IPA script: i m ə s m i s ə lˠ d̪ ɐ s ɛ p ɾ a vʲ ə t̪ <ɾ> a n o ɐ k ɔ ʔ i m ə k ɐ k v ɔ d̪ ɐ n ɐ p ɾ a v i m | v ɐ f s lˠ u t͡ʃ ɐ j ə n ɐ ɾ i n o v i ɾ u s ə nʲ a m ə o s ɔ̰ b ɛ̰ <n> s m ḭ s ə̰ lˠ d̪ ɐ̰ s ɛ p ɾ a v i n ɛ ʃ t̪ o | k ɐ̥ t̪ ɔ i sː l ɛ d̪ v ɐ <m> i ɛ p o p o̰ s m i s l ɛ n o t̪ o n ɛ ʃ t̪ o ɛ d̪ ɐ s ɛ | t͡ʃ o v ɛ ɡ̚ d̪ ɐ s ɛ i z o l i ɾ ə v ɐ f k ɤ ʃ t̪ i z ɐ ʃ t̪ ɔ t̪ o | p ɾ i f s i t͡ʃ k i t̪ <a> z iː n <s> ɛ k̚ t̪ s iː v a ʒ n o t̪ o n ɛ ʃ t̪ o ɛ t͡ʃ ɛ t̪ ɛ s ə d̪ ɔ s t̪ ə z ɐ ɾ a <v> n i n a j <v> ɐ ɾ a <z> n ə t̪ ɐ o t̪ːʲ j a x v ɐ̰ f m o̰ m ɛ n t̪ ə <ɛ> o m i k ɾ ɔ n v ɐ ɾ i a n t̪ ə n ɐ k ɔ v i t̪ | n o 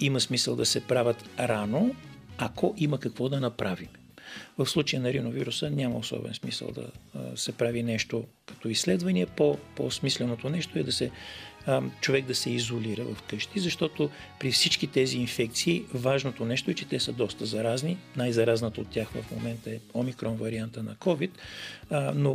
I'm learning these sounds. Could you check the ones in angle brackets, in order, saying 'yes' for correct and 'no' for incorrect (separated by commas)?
yes, yes, no, no, no, no, no, yes, yes